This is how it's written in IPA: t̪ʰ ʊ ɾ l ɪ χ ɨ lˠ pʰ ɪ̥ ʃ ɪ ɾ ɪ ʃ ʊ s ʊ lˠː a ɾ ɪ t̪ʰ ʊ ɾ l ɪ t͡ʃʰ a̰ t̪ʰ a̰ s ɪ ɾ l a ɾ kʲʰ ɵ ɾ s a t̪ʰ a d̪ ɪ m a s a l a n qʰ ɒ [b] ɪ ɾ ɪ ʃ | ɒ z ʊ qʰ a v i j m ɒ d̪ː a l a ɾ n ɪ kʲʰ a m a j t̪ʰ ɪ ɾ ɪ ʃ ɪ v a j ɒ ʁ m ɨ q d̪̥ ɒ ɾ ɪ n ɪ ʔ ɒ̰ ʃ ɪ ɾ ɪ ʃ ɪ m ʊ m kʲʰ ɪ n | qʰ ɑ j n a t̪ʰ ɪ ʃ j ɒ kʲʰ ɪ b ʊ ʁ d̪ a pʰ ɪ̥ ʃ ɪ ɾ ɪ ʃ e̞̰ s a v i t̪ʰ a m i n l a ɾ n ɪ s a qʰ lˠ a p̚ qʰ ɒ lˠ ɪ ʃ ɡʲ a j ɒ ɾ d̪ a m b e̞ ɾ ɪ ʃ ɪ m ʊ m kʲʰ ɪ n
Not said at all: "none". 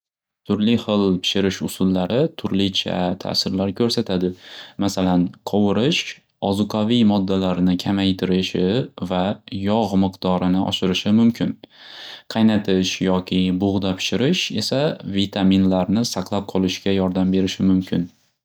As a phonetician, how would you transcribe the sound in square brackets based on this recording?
w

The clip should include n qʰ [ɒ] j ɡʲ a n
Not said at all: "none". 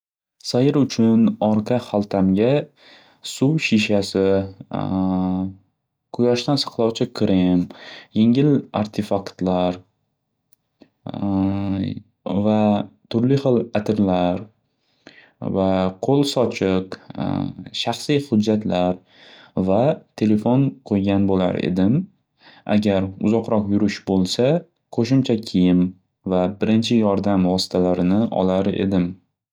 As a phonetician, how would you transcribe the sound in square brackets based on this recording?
o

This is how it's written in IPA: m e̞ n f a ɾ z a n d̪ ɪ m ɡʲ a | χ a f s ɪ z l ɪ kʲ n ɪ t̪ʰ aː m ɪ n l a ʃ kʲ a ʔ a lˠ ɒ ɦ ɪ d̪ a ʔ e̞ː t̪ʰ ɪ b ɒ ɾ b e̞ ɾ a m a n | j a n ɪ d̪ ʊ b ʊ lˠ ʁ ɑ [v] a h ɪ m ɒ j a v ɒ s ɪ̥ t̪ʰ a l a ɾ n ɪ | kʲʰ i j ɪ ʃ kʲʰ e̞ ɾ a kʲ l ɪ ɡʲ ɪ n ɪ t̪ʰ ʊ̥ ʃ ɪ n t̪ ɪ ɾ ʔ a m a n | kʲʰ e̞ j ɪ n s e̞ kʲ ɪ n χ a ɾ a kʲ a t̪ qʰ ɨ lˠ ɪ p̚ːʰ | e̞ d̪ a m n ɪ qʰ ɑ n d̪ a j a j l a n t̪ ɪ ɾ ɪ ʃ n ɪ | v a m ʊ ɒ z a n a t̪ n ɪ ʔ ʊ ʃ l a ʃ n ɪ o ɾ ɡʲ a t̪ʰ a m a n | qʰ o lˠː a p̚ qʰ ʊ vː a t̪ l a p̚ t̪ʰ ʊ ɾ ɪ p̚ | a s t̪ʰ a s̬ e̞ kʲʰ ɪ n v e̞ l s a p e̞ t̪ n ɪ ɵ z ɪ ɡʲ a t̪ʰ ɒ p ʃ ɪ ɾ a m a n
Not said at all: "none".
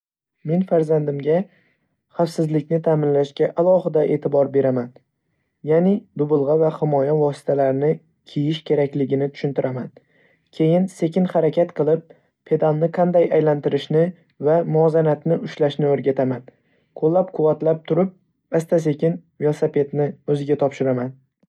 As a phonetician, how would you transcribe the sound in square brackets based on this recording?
v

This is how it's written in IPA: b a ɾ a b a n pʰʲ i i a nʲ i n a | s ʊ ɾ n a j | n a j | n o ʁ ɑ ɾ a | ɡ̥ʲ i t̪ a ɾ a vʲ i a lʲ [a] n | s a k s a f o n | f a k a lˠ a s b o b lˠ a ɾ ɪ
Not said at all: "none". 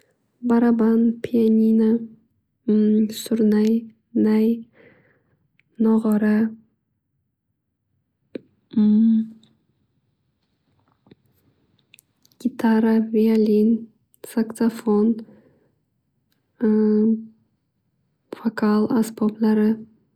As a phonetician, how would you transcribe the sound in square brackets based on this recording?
i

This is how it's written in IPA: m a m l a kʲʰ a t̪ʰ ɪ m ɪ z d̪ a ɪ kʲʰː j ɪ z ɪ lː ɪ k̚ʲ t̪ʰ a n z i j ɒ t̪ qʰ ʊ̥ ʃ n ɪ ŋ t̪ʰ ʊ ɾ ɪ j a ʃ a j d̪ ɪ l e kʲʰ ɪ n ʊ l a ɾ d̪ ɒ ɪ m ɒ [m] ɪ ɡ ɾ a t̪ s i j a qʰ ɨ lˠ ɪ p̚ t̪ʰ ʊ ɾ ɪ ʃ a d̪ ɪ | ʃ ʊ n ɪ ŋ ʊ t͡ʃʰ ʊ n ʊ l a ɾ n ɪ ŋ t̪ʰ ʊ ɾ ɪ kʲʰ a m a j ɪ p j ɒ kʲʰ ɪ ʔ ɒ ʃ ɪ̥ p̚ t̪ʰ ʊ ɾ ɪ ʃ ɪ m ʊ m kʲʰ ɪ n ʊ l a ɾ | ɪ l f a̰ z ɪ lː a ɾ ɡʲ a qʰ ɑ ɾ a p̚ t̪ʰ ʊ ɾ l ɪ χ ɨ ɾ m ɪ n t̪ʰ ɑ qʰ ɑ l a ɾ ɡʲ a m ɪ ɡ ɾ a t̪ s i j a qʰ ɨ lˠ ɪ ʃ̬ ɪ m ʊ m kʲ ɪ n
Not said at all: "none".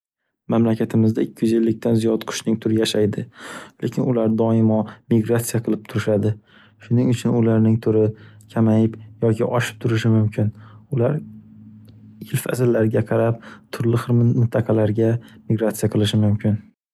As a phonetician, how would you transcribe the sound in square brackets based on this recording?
m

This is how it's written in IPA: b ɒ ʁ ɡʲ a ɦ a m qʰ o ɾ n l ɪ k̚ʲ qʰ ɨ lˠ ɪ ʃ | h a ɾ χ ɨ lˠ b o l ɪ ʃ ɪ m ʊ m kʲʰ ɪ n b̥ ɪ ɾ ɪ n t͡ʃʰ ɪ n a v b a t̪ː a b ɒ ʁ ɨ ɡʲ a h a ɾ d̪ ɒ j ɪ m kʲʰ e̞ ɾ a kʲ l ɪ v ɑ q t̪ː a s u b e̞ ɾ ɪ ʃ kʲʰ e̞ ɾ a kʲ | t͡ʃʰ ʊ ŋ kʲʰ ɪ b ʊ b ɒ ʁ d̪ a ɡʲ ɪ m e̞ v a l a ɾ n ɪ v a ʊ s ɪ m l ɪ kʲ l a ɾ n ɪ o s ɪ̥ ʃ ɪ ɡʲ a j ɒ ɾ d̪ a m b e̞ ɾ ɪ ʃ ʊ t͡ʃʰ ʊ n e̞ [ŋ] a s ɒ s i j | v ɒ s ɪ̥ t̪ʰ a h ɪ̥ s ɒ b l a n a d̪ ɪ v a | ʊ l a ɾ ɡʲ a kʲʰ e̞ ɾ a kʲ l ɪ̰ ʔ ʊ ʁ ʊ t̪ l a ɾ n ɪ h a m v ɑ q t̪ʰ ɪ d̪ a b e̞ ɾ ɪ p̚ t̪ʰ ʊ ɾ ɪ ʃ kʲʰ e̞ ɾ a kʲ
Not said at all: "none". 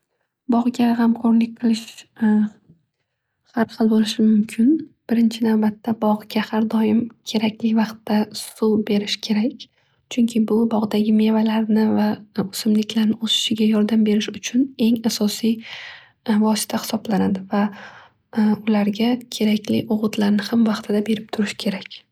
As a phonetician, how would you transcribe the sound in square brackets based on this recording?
ŋ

